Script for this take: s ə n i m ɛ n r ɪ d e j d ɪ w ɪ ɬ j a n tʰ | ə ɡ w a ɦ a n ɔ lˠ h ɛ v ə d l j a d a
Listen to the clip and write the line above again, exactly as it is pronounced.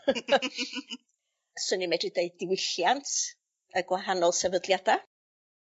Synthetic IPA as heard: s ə n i m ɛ d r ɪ d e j d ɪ w ɪ ɬ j a n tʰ | ə ɡ w a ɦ a n ɔ lˠ s ɛ v ə d l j a d a